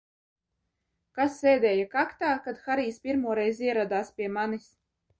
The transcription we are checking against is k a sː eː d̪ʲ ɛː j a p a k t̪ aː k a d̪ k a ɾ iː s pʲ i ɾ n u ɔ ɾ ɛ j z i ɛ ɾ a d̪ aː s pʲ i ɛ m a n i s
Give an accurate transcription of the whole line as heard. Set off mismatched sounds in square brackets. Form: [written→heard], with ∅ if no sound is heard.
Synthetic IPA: k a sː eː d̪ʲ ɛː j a [p→k] a k t̪ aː k a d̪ [k→x] a ɾ iː s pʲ i ɾ [n→m] u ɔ ɾ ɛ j z i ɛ ɾ a d̪ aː s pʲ i ɛ m a n i s